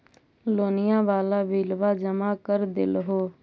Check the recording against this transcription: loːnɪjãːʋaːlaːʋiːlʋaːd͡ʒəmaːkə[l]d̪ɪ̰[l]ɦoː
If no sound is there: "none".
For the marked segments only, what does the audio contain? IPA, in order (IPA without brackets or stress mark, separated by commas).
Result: ɾ, l